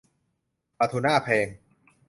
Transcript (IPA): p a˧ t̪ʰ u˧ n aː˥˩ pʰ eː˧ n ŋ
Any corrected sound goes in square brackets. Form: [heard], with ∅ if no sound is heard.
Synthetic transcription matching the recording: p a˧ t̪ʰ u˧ n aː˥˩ pʰ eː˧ [∅] ŋ